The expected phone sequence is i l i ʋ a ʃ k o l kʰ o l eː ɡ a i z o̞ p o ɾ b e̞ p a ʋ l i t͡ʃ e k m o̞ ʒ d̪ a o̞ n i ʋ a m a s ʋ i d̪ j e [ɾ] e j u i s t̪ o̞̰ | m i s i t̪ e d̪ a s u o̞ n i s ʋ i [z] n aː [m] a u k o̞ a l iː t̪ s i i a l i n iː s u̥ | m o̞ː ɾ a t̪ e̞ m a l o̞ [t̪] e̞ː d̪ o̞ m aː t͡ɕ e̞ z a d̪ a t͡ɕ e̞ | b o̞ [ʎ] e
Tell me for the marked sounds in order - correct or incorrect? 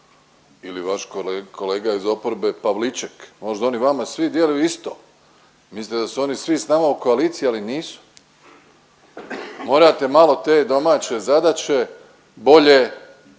incorrect: l, incorrect: s, correct, correct, correct

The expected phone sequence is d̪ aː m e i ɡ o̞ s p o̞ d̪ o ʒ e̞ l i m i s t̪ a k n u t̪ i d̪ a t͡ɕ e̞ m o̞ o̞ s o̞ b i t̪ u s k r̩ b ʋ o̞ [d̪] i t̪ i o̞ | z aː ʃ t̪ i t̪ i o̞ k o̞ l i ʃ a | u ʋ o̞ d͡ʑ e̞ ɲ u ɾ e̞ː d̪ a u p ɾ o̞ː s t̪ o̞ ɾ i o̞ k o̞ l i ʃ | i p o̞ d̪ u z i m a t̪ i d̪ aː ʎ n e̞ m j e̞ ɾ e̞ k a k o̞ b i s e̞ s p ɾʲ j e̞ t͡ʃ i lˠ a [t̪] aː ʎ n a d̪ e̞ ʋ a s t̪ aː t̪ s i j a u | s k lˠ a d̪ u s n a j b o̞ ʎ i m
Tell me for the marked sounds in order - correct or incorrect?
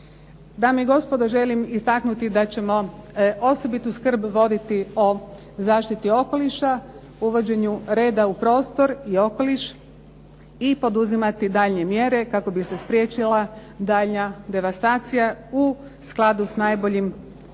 correct, incorrect: d̪

